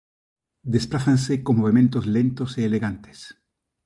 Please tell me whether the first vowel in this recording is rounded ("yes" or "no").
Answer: no